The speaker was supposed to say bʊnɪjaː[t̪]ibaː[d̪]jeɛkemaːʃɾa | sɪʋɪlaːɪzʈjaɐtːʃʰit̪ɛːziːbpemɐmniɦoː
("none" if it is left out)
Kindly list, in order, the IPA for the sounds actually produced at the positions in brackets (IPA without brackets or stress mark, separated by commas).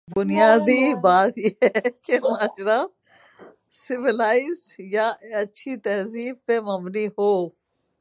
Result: d̪, t̪